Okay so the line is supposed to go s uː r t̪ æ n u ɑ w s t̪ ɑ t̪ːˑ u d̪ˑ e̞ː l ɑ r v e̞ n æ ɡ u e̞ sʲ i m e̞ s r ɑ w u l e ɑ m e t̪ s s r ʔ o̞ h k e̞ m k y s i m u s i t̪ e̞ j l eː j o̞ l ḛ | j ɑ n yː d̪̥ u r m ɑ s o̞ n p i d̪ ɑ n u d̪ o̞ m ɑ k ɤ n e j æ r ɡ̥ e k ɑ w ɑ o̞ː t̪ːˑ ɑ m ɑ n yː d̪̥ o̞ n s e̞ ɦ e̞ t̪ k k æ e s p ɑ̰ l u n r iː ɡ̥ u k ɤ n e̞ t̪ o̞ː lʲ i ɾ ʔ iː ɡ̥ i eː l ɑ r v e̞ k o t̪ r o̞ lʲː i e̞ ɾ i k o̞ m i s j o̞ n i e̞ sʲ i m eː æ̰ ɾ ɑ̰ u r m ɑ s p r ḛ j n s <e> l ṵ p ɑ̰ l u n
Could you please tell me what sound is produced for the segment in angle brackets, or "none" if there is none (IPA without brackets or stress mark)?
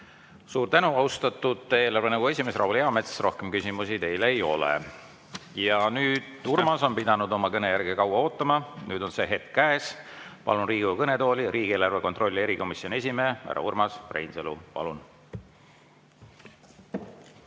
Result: e